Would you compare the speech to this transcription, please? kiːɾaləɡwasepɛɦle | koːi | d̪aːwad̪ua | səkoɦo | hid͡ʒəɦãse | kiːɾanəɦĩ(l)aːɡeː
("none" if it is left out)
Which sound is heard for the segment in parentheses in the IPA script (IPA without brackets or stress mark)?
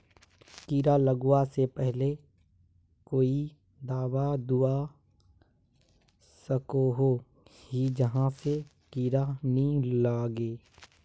l